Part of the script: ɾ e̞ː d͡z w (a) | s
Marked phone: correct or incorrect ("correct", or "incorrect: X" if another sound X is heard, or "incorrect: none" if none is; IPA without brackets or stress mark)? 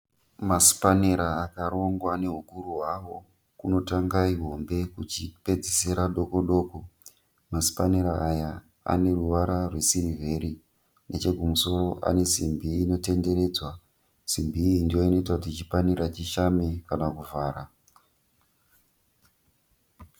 correct